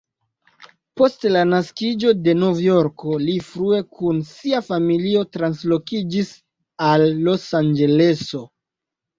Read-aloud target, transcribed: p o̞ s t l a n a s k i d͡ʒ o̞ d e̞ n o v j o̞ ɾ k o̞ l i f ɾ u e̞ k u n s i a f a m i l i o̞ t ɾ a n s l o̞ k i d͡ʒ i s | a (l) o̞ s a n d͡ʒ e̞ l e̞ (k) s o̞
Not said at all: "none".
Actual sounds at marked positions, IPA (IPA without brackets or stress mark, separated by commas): lː, none